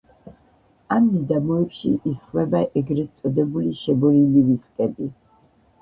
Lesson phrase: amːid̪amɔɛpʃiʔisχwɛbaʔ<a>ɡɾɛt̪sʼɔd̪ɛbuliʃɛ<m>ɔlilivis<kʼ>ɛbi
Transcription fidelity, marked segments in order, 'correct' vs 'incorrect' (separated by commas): incorrect, incorrect, correct